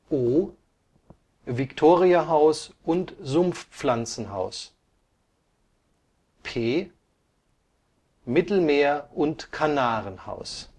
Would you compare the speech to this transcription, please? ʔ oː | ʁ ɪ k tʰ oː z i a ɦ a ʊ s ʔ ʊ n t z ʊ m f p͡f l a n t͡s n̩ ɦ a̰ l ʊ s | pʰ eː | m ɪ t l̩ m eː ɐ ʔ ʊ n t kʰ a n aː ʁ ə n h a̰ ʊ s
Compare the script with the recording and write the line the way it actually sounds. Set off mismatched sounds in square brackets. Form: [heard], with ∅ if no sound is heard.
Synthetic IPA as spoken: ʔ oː | [v] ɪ k tʰ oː [ʁ] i a ɦ a ʊ s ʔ ʊ n t z ʊ m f p͡f l a n t͡s n̩ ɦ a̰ [∅] ʊ s | pʰ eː | m ɪ t l̩ m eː ɐ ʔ ʊ n t kʰ a n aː ʁ ə n h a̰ ʊ s